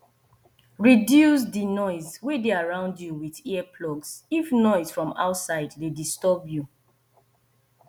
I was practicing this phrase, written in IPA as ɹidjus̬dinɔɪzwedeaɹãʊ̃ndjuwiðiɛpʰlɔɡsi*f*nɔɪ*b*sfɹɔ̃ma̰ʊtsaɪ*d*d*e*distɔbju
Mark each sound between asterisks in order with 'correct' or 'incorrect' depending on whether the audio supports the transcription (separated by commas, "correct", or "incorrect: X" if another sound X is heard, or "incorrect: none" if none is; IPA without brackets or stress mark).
correct, incorrect: none, correct, correct